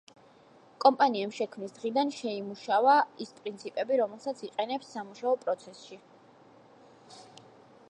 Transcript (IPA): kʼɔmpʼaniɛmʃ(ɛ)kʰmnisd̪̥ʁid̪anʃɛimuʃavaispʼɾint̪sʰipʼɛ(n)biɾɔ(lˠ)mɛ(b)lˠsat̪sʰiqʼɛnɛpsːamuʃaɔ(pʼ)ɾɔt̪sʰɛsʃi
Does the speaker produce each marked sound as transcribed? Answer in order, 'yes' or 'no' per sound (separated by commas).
yes, no, no, no, yes